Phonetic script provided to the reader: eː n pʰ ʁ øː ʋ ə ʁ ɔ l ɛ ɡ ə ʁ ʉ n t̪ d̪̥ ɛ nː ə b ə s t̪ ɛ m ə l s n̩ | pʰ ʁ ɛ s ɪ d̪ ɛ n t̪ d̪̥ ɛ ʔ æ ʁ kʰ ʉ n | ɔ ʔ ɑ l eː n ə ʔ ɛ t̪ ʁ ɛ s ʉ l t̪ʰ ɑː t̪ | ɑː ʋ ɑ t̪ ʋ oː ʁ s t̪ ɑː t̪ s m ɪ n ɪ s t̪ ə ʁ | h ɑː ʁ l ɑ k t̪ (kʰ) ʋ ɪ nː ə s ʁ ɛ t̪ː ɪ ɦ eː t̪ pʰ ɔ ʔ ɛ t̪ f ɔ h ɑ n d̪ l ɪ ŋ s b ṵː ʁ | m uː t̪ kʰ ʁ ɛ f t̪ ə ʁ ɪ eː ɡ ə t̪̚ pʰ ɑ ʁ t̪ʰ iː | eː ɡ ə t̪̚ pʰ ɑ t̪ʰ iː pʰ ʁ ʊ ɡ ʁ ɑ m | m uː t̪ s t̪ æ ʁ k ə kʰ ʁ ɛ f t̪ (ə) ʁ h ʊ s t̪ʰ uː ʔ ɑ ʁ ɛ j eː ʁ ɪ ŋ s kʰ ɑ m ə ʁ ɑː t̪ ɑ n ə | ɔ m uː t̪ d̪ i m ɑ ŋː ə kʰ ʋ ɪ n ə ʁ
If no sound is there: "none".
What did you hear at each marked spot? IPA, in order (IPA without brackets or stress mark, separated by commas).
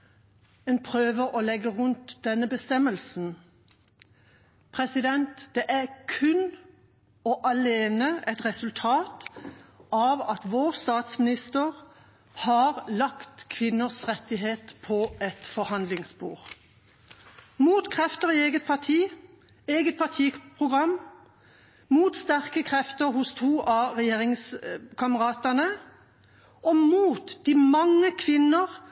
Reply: kʰ, ə